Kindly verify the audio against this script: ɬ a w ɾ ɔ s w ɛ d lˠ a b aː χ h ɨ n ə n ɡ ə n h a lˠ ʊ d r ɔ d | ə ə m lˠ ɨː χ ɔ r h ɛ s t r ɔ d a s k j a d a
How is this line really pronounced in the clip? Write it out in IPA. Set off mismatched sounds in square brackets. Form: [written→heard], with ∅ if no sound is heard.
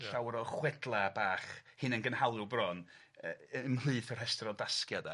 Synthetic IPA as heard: ɬ a w ɾ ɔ [s→χ] w ɛ d lˠ a b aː χ h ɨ n ə n ɡ ə n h a lˠ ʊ [d→b] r ɔ [d→n] | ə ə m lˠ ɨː [χ→θ] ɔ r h ɛ s t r ɔ d a s k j a d a